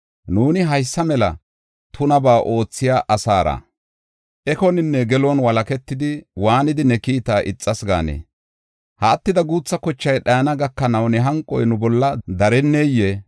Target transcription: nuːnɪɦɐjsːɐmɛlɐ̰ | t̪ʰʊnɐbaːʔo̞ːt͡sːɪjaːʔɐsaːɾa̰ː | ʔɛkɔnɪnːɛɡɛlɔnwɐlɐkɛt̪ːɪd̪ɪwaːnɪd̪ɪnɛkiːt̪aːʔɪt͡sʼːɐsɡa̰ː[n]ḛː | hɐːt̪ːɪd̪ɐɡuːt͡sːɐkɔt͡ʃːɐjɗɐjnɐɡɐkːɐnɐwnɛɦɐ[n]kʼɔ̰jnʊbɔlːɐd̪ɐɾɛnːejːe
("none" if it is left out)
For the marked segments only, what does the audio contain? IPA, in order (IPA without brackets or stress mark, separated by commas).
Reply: n, ŋ